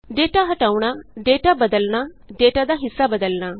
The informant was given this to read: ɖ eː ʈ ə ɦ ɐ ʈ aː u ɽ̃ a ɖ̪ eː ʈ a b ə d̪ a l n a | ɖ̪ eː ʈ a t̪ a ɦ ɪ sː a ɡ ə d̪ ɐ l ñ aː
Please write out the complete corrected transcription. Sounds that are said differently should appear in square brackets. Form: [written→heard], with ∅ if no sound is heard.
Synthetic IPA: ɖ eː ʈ [ə→a] ɦ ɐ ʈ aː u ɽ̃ a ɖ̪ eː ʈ a b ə d̪ [a→ə] l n a | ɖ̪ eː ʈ a [t̪→d̪] a ɦ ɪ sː a [ɡ→b] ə d̪ [ɐ→ə] l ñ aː